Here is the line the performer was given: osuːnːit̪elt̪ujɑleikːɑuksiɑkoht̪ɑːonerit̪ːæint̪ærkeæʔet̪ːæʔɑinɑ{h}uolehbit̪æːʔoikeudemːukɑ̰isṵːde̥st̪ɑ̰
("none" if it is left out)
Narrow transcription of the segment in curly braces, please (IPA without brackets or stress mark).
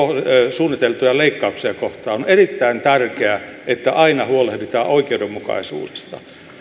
h